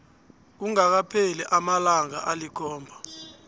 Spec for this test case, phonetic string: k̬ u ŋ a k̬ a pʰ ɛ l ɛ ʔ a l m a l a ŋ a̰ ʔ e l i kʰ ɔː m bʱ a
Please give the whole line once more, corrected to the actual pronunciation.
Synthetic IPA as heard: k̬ u ŋ a k̬ a pʰ ɛ l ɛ ʔ a m a l a ŋ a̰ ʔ a l i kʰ ɔː m bʱ a